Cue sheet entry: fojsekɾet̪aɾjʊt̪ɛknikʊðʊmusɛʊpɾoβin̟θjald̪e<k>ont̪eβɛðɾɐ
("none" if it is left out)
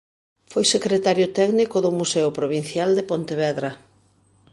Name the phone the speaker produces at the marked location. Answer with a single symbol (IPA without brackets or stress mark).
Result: p